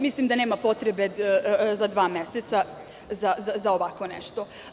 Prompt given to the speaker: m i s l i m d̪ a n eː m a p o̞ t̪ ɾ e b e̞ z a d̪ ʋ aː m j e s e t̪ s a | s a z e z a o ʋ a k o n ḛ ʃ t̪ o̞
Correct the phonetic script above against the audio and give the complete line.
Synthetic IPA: m i s l i m d̪ a n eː m a p o̞ t̪ ɾ e b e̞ z a d̪ ʋ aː m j e s e t̪ s a | z a z a z a o ʋ a k o n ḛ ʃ t̪ o̞

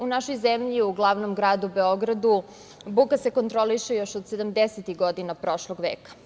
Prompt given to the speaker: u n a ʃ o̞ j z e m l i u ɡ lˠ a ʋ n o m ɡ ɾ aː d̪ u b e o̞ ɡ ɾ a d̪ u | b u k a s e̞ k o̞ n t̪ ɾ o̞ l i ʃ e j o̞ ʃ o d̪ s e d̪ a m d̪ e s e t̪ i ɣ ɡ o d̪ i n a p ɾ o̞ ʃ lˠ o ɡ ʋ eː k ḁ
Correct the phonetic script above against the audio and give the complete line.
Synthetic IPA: u n a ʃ o̞ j z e m ʎ i u ɡ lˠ a ʋ n o m ɡ ɾ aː d̪ u b e o̞ ɡ ɾ a d̪ u | b u k a s e̞ k o̞ n t̪ ɾ o̞ l i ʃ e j o̞ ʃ o d̪ s e d̪ a m d̪ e s e t̪ i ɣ ɡ o d̪ i n a p ɾ o̞ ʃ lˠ o ɡ ʋ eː k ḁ

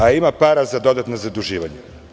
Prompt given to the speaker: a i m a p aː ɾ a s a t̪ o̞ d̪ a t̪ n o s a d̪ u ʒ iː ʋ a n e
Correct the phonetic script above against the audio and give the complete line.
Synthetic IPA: a i m a p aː ɾ a z a d̪ o̞ d̪ a t̪ n o z a d̪ u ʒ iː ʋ a ɲ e

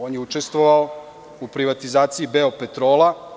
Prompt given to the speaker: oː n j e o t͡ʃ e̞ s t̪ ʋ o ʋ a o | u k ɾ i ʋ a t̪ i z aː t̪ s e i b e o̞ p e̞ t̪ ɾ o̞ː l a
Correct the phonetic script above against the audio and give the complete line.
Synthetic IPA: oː n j e u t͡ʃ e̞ s t̪ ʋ o ʋ a o | u p ɾ i ʋ a t̪ i z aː t̪ s i i b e o̞ p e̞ t̪ ɾ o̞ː l a

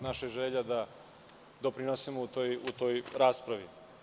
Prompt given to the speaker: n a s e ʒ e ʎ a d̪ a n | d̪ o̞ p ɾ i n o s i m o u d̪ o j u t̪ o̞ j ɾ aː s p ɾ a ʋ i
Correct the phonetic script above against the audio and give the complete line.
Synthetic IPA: n a ʃ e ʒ e ʎ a d̪ a | d̪ o̞ p ɾ i n o s i m o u t̪ o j u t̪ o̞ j ɾ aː s p ɾ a ʋ i

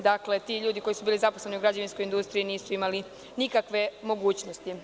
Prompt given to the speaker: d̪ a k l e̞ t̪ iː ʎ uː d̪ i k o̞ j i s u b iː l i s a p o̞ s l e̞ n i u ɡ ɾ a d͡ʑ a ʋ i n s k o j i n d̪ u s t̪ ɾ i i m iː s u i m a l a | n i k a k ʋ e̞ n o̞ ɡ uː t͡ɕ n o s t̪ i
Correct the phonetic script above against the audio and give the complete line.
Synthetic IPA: d̪ a k l e̞ t̪ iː ʎ uː d̪ i k o̞ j i s u b iː l i z a p o̞ s l e̞ n i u ɡ ɾ a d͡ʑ a ʋ i n s k o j i n d̪ u s t̪ ɾ i i n iː s u i m a l i | n i k a k ʋ e̞ m o̞ ɡ uː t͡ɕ n o s t̪ i

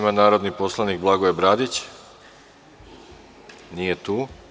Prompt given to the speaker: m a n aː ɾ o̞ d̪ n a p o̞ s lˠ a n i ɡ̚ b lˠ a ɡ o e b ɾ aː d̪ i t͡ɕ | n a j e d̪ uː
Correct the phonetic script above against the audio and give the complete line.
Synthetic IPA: m a n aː ɾ o̞ d̪ n i p o̞ s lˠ a n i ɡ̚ b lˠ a ɡ o e b ɾ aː d̪ i t͡ɕ | n i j e t̪ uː

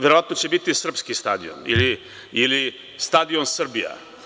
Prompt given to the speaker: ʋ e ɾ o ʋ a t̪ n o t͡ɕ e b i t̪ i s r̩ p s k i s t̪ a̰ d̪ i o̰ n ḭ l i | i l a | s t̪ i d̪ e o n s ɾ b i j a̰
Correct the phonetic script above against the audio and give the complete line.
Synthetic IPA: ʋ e ɾ o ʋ a t̪ n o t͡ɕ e b i t̪ i s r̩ p s k i s t̪ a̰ d̪ i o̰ n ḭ l i | i l i | s t̪ a d̪ i o n s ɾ b i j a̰

